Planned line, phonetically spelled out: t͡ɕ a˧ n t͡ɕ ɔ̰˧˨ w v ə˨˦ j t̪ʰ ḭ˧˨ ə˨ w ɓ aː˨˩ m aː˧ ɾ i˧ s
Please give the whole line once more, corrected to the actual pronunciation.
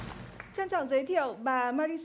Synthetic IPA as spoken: t͡ɕ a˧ n t͡ɕ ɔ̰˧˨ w z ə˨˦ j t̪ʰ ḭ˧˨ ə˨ w ɓ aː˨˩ m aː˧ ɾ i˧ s